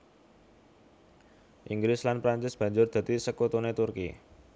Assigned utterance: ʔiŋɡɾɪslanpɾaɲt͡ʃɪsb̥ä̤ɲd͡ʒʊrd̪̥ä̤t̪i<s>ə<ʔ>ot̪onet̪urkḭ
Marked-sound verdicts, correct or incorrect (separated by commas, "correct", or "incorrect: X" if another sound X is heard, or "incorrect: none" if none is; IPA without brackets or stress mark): correct, incorrect: k